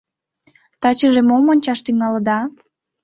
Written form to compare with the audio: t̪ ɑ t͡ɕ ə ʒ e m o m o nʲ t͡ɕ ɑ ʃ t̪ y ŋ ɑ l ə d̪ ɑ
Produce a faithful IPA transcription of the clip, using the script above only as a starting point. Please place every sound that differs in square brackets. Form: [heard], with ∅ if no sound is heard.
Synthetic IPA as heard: t̪ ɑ t͡ɕ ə ʒ e m o m o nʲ t͡ɕ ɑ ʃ t̪ y ŋ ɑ l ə d̪ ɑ